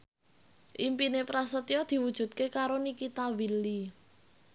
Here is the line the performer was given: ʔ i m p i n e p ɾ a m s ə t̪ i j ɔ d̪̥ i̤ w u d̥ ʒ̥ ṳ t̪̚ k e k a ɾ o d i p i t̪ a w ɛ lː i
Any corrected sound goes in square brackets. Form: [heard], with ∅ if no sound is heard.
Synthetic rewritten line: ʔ i m p i n e p ɾ a [∅] s ə t̪ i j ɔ d̪̥ i̤ w u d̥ ʒ̥ ṳ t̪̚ k e k a ɾ o [n] i [k] i t̪ a w [i] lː i